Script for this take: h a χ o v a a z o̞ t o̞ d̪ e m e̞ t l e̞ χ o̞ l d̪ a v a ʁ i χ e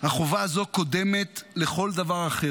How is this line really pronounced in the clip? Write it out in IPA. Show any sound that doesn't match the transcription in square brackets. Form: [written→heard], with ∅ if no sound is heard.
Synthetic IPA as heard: h a χ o v a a z o̞ [t→k] o̞ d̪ e m e̞ t l e̞ χ o̞ l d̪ a v a ʁ [i→a] χ e